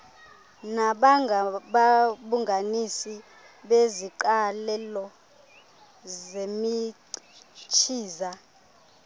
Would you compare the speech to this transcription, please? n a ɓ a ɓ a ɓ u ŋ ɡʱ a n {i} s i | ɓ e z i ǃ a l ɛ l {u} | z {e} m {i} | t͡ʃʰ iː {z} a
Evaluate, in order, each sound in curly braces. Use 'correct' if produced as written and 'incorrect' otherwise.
correct, incorrect, correct, correct, correct

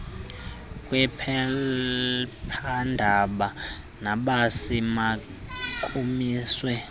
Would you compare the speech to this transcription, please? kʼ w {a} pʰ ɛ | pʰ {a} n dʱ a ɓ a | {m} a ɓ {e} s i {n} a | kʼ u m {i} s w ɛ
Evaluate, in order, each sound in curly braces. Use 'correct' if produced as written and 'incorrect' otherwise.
incorrect, correct, incorrect, incorrect, incorrect, incorrect

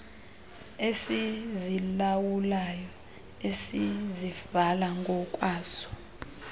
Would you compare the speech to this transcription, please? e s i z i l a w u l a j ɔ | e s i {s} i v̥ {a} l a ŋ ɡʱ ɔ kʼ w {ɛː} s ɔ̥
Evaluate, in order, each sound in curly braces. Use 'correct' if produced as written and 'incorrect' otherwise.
incorrect, correct, incorrect

